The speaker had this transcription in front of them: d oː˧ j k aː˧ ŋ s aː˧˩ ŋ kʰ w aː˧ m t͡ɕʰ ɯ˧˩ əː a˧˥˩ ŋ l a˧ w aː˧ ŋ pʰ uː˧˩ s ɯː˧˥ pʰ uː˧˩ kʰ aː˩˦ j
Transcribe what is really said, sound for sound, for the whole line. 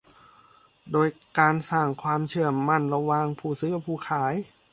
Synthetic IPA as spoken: d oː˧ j k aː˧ n s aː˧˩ ŋ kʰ w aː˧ m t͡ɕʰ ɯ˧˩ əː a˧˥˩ n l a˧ w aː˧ ŋ pʰ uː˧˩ s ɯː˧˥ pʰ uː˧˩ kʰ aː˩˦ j